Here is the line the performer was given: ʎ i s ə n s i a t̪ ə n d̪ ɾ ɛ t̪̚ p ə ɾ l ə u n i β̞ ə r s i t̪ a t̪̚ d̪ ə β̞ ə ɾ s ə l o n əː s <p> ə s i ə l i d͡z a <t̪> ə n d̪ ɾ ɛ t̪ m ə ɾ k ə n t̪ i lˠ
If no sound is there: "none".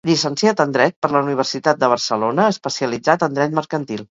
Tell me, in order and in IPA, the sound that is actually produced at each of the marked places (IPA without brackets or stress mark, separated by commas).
p, t̪